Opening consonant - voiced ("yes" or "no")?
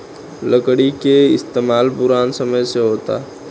yes